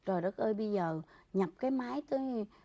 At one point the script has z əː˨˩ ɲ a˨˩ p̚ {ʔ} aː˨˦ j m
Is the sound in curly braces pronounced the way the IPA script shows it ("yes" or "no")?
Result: no